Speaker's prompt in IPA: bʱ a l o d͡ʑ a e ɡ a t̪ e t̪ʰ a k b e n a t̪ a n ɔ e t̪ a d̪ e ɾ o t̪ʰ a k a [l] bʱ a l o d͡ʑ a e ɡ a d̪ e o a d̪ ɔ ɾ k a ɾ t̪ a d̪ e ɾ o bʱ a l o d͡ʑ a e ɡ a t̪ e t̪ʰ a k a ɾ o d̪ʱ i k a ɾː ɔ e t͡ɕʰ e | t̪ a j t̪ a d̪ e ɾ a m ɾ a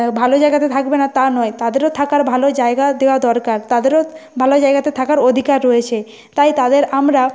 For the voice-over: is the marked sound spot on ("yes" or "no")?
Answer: no